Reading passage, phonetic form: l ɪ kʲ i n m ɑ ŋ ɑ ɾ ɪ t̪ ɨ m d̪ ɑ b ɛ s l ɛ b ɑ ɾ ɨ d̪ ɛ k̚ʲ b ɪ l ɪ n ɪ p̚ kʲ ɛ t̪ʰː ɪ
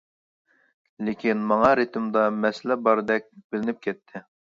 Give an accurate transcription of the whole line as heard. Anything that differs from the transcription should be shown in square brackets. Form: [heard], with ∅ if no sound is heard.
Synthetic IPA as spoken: l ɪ kʲ i n m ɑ ŋ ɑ ɾ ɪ t̪ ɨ m d̪ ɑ [m] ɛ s l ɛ b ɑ ɾ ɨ d̪ ɛ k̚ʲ b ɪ l ɪ n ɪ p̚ kʲ ɛ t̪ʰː ɪ